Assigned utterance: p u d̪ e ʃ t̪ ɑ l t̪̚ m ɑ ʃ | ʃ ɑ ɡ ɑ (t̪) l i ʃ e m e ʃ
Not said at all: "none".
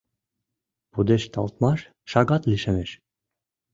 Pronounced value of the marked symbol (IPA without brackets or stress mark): t̪